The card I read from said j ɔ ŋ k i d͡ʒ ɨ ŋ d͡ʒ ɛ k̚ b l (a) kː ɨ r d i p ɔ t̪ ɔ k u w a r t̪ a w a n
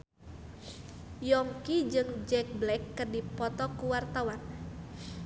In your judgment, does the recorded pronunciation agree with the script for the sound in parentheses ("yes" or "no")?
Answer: no